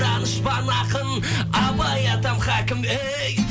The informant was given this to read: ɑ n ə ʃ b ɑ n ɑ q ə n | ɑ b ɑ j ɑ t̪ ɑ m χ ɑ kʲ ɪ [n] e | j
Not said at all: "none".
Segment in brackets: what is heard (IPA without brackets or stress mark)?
m